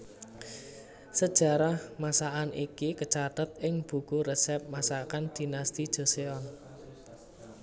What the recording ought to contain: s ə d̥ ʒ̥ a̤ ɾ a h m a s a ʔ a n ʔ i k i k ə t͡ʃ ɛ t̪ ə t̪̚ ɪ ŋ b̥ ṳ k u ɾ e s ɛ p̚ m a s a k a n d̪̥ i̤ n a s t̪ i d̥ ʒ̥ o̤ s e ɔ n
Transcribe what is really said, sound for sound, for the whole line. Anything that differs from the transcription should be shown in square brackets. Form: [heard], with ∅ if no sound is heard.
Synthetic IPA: s ə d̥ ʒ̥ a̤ ɾ a h m a s a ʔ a n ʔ i k i k ə t͡ʃ [a] t̪ ə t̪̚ ɪ ŋ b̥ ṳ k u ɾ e s ɛ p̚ m a s a k a n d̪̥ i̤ n a s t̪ i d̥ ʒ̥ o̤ s e ɔ n